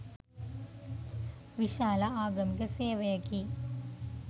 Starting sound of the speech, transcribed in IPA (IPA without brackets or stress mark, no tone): ʋ